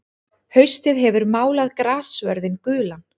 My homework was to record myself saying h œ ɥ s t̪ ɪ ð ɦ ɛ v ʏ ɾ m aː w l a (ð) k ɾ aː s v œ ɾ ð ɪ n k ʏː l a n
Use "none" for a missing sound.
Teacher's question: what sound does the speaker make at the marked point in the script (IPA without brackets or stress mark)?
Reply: ð